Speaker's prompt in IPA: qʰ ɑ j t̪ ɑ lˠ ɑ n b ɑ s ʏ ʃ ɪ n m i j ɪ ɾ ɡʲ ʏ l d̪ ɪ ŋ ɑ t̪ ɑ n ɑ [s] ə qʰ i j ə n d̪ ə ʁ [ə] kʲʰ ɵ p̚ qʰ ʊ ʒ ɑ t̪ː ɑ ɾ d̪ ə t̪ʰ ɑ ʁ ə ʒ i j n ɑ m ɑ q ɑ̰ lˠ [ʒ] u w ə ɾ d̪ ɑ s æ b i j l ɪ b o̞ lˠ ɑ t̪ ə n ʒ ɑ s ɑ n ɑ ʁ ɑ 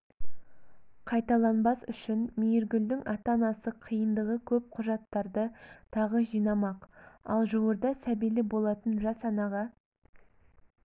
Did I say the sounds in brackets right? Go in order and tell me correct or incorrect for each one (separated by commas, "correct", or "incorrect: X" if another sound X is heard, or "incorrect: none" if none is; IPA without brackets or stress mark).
correct, correct, correct